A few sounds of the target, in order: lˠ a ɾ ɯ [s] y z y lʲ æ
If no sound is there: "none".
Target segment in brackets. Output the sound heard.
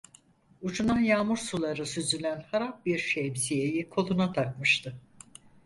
s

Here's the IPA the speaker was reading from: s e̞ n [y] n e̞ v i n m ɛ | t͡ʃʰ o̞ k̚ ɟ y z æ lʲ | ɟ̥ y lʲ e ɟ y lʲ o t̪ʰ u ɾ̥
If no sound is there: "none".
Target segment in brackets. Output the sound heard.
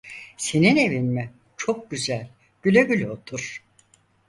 i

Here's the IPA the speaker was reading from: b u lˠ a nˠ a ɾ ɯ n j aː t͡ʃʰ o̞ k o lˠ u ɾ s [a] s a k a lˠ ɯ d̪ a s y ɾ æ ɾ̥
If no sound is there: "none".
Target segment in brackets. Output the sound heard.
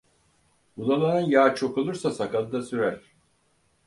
a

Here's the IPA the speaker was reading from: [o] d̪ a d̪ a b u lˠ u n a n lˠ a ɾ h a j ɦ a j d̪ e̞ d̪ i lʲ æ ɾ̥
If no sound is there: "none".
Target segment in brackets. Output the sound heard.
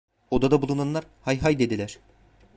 o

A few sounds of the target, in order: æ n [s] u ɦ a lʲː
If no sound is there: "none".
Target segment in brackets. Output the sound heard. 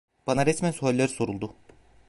s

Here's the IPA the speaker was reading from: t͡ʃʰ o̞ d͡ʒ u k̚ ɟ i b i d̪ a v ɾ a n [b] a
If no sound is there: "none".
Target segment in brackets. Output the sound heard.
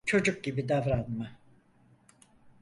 m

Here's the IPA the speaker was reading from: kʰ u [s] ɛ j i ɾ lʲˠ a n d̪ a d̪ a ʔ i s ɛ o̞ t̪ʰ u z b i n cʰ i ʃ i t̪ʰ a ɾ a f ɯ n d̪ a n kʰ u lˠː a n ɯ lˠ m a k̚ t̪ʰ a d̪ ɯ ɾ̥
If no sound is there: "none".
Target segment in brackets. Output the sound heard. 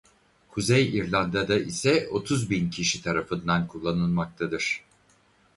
z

